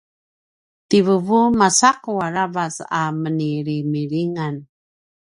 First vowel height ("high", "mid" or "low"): high